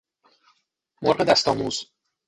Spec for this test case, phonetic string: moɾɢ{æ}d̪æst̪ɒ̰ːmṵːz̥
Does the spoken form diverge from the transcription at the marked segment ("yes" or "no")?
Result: yes